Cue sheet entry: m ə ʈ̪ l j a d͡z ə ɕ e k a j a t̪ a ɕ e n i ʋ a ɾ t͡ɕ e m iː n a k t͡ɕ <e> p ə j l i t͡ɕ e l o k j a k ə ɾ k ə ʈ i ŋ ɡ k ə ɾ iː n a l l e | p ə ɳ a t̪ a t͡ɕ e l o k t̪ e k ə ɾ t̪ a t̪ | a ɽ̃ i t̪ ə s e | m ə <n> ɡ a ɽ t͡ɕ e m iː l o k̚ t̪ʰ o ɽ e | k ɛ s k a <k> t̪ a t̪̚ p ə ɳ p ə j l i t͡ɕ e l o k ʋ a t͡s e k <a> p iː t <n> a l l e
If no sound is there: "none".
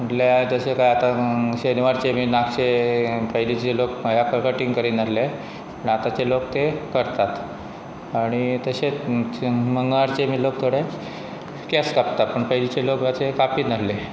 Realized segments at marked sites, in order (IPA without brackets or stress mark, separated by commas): e, ŋ, p, a, n